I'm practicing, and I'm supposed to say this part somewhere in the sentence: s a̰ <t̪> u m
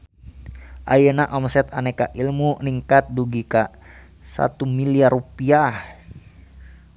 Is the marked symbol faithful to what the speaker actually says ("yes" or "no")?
yes